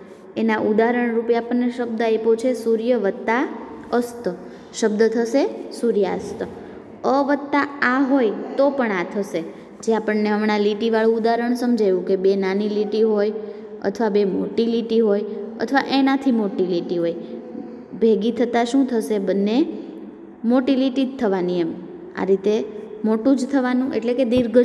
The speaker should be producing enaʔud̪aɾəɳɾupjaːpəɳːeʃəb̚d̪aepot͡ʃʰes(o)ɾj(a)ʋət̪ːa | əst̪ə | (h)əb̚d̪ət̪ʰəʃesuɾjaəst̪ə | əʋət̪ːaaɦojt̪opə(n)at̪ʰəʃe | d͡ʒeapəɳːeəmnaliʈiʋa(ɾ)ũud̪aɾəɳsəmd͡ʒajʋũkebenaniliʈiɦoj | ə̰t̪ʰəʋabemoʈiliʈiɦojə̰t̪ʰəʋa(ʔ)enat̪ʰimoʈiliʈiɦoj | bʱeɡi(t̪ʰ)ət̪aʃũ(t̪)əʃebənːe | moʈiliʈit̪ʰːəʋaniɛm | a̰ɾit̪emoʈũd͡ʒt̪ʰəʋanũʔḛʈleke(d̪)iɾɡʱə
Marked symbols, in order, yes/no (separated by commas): no, no, no, no, no, yes, yes, no, yes